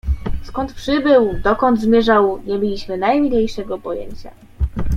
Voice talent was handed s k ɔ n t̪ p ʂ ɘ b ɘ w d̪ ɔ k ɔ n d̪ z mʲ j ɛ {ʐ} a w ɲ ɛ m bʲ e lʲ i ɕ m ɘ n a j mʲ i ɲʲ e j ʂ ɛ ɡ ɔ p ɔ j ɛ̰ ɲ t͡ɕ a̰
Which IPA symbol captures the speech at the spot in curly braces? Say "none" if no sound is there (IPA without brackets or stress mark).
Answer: ʐ